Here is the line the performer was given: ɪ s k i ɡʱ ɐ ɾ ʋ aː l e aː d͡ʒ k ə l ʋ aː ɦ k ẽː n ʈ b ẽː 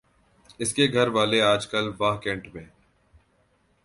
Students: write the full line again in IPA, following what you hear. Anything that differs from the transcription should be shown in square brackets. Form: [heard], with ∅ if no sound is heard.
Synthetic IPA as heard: ɪ s k [e] ɡʱ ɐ ɾ ʋ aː l e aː d͡ʒ k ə l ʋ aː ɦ k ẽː [ɳ] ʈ [m] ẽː